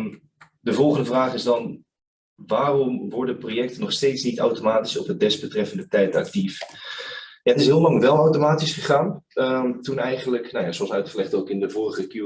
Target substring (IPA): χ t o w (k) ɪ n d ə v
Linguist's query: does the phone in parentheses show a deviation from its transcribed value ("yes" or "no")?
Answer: no